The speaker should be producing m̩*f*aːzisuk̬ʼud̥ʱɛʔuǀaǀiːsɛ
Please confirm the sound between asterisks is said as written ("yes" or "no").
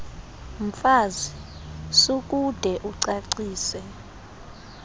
yes